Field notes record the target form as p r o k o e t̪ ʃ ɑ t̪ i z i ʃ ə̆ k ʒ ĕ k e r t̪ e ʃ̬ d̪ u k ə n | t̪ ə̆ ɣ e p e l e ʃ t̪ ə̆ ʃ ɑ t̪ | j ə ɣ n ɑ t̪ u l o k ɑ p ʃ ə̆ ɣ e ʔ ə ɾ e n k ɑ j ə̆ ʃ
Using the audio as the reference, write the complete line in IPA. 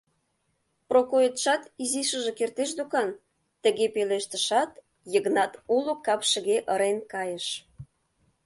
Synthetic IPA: p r o k o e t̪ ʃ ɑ t̪ i z i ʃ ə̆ ʒ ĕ k e r t̪ e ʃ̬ d̪ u k ɑ n | t̪ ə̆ ɣ e p e l e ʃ t̪ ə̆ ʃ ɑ t̪ | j ə ɣ n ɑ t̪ u l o k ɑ p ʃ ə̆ ɣ e ʔ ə ɾ e n k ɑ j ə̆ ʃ